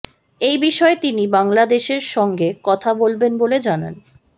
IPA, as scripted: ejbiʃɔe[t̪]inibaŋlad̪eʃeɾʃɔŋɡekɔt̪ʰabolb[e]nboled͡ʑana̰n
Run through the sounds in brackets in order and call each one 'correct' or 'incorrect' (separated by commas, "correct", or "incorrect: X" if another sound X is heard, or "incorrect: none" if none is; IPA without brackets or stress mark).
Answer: correct, correct